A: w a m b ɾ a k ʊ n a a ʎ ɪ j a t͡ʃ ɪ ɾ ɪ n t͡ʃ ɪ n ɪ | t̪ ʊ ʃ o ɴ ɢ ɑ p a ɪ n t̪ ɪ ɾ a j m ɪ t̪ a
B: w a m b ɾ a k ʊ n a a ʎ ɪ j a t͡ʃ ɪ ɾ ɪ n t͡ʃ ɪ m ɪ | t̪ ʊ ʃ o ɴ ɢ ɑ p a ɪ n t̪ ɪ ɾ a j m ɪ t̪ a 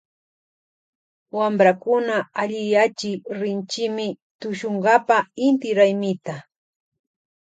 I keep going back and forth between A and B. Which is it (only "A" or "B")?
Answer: B